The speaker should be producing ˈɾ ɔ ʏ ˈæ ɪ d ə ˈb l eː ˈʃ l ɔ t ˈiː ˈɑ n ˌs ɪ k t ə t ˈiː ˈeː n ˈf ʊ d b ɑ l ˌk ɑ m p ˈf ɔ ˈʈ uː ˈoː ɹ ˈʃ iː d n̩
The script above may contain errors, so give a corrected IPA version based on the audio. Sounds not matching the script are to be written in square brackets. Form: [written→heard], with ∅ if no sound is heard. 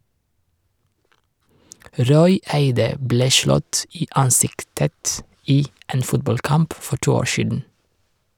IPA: ˈɾ ɔ ʏ ˈæ ɪ d ə ˈb l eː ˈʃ l ɔ t ˈiː ˈɑ n ˌs ɪ k t ə t ˈiː ˈeː n ˈf ʊ [d→t] b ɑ l ˌk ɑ m p ˈf ɔ ˈʈ uː ˈoː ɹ ˈʃ iː d n̩